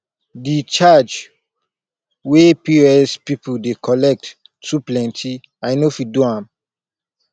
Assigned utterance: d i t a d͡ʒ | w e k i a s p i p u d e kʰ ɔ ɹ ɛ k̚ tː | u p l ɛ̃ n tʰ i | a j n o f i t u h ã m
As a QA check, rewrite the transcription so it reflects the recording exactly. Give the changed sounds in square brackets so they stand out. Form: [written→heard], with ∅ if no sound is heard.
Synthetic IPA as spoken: d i [t→t͡ʃ] a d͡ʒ | w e [k→p] i [a→ɛ] s p i p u d e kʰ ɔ [ɹ→l] ɛ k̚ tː | u p l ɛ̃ n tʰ i | a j n o f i [t→d] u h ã m

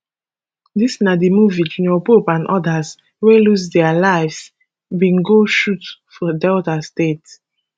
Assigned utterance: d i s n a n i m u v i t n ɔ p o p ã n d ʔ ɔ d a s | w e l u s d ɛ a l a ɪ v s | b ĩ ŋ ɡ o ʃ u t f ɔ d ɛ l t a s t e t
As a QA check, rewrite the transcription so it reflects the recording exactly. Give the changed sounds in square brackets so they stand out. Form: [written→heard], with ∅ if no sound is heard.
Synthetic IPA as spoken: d i s n a [n→d] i m u v i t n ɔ p o p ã n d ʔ ɔ d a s | w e l u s d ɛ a l a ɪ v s | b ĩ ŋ ɡ o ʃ u t f ɔ d ɛ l t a s t e t

